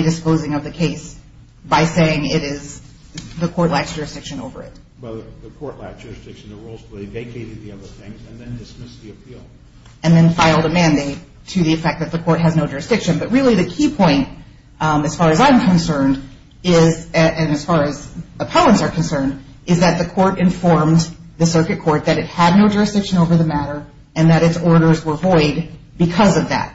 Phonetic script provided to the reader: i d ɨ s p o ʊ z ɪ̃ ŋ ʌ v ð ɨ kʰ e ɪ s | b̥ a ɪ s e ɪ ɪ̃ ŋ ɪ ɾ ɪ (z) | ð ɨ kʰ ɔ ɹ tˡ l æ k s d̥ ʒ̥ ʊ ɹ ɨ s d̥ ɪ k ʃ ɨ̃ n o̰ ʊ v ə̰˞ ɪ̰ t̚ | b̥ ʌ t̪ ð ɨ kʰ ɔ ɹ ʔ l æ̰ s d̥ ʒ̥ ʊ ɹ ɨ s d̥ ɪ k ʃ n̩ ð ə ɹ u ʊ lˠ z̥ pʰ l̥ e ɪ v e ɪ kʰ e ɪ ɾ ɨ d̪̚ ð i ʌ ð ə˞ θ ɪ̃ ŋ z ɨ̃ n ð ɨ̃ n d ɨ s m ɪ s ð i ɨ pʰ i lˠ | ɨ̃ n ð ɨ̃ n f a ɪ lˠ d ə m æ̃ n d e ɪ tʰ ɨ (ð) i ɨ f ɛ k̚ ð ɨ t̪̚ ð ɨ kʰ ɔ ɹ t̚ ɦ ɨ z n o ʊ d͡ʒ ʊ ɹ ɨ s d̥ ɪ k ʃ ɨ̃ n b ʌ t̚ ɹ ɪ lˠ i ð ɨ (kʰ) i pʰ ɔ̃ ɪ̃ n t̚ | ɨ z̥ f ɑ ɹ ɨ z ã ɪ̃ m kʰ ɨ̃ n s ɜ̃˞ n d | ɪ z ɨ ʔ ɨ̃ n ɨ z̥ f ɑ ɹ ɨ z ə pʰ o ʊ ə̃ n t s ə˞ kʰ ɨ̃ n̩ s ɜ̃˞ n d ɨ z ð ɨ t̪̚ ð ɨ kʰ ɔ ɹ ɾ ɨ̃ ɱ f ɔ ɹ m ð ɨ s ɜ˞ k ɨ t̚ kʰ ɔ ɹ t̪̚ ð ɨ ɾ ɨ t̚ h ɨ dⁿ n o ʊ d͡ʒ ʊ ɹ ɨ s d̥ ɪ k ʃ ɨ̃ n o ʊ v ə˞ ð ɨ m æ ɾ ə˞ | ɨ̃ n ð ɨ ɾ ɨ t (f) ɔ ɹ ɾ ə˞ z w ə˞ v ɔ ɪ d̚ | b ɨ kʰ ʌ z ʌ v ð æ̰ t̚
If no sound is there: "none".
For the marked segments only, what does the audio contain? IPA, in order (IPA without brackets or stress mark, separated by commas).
z, ð, kʰ, s